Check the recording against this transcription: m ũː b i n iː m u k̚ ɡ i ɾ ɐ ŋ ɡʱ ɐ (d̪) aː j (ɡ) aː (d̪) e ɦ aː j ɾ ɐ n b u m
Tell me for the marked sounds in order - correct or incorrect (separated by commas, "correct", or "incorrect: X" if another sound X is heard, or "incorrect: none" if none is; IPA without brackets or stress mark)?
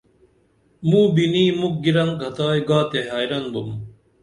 incorrect: t̪, correct, incorrect: t̪